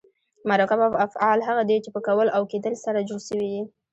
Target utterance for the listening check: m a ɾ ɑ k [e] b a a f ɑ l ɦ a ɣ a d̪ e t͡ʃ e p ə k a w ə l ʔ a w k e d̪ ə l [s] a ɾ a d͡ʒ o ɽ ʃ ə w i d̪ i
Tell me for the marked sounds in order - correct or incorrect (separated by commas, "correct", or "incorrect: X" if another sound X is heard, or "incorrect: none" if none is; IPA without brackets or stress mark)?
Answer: incorrect: a, correct